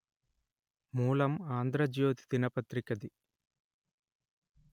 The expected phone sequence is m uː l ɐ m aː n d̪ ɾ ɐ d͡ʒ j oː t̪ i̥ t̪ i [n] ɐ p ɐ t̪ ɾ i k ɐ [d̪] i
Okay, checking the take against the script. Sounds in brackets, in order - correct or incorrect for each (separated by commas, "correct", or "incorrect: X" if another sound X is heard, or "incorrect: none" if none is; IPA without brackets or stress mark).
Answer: correct, correct